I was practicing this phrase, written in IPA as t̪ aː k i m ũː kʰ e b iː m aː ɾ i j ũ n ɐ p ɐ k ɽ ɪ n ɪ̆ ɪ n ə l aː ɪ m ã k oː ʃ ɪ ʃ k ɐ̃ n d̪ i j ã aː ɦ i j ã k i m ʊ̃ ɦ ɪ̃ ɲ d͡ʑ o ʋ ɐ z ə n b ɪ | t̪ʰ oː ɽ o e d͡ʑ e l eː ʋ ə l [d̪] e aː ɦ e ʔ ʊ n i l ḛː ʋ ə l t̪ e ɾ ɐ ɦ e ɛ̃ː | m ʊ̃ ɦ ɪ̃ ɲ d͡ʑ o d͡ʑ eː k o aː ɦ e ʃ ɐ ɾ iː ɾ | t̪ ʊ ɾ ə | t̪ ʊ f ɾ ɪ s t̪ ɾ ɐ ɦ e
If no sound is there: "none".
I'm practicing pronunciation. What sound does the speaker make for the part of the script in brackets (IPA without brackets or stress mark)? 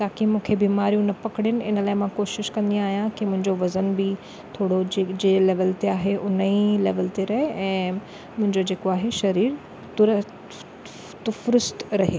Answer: t̪